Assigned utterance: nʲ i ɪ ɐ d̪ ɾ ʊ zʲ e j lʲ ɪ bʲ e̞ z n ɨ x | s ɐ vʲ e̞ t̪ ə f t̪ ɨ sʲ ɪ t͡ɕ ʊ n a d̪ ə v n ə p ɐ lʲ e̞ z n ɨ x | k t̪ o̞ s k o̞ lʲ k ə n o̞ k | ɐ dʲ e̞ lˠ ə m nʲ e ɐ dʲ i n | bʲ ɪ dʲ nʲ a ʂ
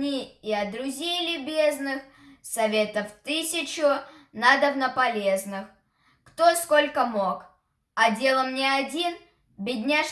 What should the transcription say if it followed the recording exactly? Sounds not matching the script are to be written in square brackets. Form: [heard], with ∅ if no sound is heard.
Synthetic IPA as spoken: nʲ i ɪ ɐ d̪ ɾ ʊ zʲ e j lʲ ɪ bʲ e̞ z n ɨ x | s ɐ vʲ e̞ t̪ ə f t̪ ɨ sʲ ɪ t͡ɕ ʊ n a d̪ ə v n ə p ɐ lʲ e̞ z n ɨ x | k t̪ o̞ s k o̞ lʲ k ə [m] o̞ k | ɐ dʲ e̞ lˠ ə m nʲ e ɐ dʲ i n | bʲ ɪ dʲ nʲ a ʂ